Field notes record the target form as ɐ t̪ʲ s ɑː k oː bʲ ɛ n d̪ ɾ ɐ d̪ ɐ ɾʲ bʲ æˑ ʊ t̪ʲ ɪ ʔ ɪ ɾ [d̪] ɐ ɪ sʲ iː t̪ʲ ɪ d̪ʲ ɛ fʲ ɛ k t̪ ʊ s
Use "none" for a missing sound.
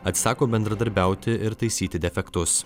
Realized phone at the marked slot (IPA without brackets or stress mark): t̪